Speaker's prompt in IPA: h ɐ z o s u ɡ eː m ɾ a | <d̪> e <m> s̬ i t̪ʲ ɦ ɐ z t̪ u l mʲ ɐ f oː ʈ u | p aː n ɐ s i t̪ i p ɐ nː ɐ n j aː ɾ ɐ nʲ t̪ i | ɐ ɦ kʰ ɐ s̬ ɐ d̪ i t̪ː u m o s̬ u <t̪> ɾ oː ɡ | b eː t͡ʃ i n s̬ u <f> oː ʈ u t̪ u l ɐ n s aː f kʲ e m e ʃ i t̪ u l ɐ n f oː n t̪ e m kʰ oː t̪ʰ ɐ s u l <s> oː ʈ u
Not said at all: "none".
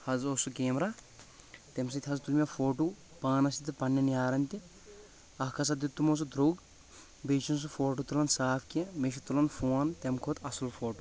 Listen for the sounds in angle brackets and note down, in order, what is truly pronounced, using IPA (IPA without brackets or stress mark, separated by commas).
t̪, m, d̪, f, f